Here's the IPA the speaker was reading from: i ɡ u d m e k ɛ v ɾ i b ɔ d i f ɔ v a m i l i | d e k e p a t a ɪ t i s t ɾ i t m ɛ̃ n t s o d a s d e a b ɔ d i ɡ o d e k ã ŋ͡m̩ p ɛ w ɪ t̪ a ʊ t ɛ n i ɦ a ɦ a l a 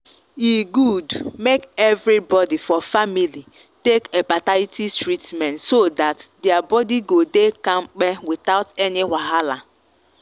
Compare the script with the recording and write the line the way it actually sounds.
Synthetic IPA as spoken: i ɡ u d m e k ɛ v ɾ i b ɔ d i f ɔ f a m i l i | t e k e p a t a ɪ t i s t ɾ i t m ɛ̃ n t s o d a t d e a b ɔ d i ɡ o d e k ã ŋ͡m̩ k͡p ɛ w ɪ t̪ a ʊ t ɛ n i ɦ a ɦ a l a